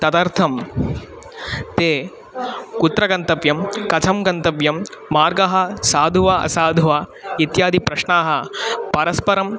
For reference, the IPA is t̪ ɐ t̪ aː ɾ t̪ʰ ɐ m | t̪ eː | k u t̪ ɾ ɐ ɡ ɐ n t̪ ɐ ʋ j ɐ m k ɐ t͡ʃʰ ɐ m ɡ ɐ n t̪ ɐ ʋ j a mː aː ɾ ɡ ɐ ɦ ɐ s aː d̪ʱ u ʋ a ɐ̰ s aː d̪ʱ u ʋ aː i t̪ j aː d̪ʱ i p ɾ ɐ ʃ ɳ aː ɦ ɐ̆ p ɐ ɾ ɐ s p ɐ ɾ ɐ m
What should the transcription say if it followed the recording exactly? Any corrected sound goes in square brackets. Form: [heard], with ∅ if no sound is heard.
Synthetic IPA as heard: t̪ ɐ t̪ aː ɾ t̪ʰ ɐ m | t̪ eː | k u t̪ ɾ ɐ ɡ ɐ n t̪ ɐ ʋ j ɐ m k ɐ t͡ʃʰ ɐ m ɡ ɐ n t̪ ɐ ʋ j [ɐ] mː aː ɾ ɡ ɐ ɦ ɐ s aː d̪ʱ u ʋ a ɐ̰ s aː d̪ʱ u ʋ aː i t̪ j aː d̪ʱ i p ɾ ɐ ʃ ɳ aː ɦ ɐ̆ p ɐ ɾ ɐ s p ɐ ɾ ɐ m